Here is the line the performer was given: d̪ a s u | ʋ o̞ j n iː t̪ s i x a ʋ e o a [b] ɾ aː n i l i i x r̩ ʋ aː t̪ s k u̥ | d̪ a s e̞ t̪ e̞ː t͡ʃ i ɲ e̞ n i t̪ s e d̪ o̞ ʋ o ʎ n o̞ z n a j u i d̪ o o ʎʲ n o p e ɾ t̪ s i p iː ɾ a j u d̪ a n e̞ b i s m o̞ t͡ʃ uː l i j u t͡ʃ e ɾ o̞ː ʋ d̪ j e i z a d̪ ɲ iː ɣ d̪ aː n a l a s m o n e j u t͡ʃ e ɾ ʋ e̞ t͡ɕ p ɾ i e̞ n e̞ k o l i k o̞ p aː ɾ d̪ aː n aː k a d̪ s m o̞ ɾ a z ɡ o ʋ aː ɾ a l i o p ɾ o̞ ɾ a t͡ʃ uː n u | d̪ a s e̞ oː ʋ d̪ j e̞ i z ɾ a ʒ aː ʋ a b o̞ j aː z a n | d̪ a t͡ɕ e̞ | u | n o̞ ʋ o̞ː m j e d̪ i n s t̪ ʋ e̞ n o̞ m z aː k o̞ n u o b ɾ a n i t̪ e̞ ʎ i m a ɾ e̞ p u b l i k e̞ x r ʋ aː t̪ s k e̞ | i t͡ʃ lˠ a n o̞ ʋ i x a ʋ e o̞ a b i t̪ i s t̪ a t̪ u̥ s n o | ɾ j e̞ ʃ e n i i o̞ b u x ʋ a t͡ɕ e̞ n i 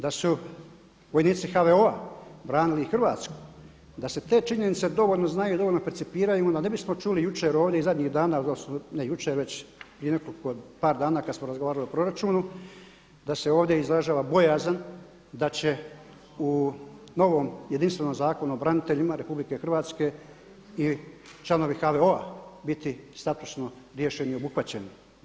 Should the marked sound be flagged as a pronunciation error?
no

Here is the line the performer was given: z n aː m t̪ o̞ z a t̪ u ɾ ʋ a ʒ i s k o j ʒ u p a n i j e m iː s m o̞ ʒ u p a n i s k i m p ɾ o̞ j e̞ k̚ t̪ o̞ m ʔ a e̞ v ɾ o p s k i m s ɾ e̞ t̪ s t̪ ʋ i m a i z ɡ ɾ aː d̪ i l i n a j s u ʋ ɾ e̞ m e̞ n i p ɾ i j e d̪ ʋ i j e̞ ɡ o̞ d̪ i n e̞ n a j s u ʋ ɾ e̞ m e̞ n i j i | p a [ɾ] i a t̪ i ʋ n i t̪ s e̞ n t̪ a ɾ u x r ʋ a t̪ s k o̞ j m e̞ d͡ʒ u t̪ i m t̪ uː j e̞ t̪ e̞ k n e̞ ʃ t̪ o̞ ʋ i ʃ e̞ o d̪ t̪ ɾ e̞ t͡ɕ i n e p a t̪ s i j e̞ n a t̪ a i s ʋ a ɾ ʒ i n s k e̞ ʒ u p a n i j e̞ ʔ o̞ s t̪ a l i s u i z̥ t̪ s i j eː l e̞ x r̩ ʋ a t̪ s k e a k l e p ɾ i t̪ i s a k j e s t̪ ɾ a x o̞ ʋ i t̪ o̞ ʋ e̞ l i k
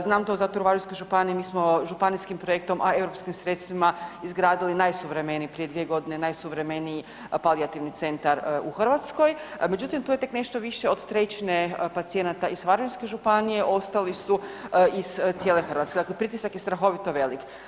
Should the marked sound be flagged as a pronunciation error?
yes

